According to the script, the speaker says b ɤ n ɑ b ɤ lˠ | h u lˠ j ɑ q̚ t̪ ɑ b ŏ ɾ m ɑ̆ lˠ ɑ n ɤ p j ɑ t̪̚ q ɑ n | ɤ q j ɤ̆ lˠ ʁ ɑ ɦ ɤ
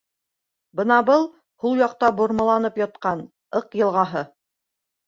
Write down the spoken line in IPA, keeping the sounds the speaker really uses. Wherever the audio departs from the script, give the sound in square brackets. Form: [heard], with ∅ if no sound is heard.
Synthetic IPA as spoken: b ɤ n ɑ b ɤ lˠ | h u lˠ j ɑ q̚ t̪ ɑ b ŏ ɾ m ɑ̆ lˠ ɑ n ɤ p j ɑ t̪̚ q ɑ n | ɤ q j ɤ̆ lˠ ʁ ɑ ɦ ɤ